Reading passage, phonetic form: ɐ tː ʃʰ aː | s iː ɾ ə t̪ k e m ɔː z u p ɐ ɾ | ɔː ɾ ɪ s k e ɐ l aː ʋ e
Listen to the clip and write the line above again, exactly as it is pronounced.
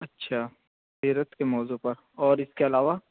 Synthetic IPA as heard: ɐ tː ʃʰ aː | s iː ɾ ə t̪ k e m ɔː z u p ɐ ɾ | ɔː ɾ ɪ s k e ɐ l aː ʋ a